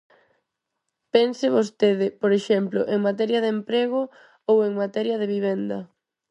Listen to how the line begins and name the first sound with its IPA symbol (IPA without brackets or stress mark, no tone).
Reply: p